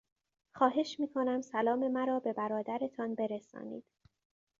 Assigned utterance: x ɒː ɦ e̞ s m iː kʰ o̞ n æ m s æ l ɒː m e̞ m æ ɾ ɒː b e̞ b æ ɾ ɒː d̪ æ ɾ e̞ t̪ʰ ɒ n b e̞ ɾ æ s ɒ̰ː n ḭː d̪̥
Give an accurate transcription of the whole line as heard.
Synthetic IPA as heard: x ɒː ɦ e̞ ʃ m iː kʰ o̞ n æ m s æ l ɒː m e̞ m æ ɾ ɒː b e̞ b æ ɾ ɒː d̪ æ ɾ e̞ t̪ʰ ɒ n b e̞ ɾ e s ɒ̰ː n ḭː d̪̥